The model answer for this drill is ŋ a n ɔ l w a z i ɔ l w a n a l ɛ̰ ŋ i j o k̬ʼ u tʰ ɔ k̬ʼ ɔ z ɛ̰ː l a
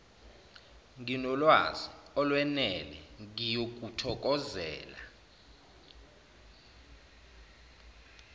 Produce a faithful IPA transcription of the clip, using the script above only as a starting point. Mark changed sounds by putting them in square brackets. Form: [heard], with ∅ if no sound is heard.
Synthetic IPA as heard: ŋ [i] n ɔ l w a z i ɔ l w [ɛ] n [ɛ] l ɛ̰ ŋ i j o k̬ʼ u tʰ ɔ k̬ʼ ɔ z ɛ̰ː l a